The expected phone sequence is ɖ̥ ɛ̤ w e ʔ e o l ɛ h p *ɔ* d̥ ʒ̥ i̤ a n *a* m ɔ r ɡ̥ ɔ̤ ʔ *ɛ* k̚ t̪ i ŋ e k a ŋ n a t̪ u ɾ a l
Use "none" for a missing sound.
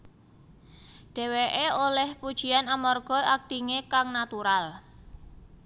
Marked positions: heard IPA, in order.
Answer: u, a, a

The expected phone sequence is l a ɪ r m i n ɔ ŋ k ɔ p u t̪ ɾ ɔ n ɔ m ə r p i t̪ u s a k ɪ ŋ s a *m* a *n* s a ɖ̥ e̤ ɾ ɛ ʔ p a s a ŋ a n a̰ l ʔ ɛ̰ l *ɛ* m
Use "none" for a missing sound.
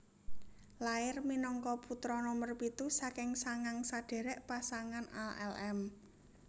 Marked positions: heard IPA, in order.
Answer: ŋ, ŋ, ɛ

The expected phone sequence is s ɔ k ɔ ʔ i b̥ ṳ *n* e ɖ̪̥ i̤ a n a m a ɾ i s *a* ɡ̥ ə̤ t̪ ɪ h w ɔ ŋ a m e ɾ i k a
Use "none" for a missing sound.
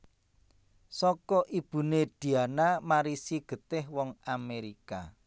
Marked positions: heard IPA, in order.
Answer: n, i

